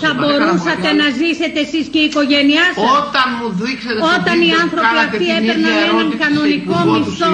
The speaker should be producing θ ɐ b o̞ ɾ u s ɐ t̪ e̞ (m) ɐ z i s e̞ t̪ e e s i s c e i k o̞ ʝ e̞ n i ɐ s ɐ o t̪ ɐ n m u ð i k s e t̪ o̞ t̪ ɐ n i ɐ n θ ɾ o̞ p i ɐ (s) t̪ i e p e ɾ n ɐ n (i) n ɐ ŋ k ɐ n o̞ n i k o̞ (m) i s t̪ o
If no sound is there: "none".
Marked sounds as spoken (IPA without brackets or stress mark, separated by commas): n, f, e, m